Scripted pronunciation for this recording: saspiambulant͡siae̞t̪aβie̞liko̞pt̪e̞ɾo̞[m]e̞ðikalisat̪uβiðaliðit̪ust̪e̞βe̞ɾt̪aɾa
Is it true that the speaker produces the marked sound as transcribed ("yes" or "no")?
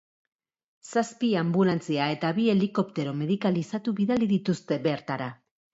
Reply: yes